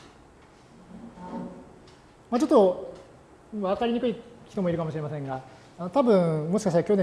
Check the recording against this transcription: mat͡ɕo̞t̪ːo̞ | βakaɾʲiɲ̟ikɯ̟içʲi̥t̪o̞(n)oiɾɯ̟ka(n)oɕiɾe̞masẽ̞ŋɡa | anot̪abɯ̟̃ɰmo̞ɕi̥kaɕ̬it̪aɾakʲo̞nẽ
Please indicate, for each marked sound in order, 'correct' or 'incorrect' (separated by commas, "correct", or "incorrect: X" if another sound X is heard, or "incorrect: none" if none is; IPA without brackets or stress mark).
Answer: incorrect: m, incorrect: m